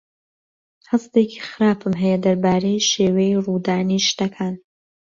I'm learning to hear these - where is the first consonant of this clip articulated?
throat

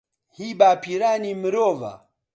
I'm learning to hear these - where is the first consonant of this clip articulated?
throat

